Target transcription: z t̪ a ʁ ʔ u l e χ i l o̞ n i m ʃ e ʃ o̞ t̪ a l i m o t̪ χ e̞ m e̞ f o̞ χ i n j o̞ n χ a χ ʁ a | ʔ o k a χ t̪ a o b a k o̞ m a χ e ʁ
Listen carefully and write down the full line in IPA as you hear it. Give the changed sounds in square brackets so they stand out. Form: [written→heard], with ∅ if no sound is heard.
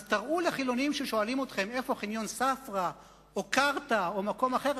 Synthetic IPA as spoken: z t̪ a ʁ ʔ u l e χ i l o̞ n i m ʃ e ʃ o̞ [t̪→∅] a l i m o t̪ χ e̞ m e̞ f o̞ χ i n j o̞ n [χ→s] a [χ→f] ʁ a | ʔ o k a [χ→ʁ] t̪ a o [b→m] a k o̞ m a χ e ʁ